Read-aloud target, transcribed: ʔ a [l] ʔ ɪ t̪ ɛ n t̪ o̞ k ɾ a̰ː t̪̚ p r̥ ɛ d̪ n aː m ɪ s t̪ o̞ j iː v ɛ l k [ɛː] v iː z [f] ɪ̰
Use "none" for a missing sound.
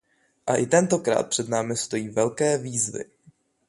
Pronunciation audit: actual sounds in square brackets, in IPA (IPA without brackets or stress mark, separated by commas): none, ɛː, v